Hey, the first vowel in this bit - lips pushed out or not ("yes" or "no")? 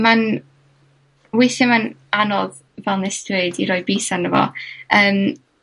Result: no